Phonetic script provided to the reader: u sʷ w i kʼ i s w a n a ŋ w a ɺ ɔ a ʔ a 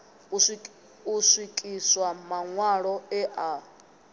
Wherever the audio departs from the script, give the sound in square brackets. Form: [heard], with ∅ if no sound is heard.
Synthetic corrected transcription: u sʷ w i kʼ i s w a [m] a ŋ w a ɺ ɔ [ɛ] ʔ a